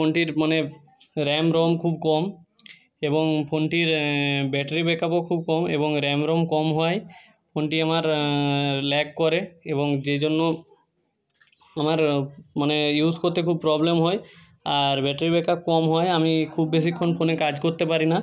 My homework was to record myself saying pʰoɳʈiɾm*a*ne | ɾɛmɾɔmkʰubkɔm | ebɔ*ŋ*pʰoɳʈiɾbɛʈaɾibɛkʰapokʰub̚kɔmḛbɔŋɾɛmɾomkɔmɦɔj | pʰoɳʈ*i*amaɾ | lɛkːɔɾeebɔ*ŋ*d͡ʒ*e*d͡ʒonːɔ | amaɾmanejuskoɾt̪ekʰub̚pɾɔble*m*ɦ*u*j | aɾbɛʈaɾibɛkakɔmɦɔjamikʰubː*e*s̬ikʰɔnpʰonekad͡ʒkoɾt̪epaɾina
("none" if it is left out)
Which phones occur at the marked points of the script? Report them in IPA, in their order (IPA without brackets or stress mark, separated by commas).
a, ŋ, i, ŋ, e, m, ɔ, e